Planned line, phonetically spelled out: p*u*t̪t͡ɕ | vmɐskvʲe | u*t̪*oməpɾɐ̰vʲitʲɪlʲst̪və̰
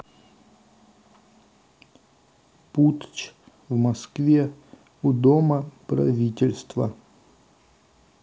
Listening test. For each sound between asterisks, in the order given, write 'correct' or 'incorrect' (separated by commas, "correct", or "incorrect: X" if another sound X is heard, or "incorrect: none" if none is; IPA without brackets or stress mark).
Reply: correct, incorrect: d̪